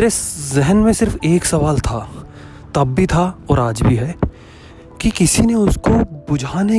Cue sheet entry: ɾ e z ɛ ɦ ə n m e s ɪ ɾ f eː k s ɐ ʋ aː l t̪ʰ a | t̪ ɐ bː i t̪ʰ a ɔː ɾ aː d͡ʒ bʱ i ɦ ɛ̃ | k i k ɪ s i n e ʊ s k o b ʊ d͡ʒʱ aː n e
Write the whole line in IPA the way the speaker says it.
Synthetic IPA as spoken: ɾ e z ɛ ɦ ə n m ẽ s ɪ ɾ f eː k s ɐ ʋ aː l t̪ʰ a | t̪ ɐ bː i t̪ʰ a ɔː ɾ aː d͡ʒ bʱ i ɦ ɛ | k i k ɪ s i n e ʊ s k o b ʊ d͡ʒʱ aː n e